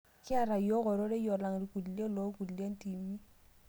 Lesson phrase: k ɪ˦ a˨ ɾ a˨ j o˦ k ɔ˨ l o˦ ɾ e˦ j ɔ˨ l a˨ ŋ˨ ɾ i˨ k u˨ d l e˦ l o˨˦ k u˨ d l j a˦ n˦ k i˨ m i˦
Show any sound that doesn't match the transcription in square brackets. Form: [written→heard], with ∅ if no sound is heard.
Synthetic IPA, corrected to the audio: k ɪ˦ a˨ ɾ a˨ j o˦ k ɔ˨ [l→ɾ] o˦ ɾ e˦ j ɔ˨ l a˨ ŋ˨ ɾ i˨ k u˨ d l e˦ l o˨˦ k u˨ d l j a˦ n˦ [k→t] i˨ m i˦